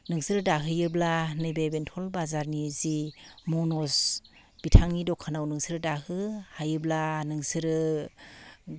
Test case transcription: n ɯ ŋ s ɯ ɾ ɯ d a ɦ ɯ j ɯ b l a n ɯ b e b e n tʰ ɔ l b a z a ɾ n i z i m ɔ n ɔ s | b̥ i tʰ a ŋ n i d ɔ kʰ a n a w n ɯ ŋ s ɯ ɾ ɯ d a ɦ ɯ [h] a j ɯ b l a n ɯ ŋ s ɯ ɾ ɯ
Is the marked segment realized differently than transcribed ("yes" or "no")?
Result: no